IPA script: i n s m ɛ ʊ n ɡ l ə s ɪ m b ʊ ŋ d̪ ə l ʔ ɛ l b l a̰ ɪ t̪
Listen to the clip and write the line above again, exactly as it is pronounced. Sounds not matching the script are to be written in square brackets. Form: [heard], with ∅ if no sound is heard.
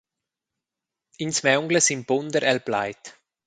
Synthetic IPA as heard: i n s m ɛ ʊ [ŋ] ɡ l ə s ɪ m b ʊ [n] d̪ ə [ɾ] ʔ ɛ l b l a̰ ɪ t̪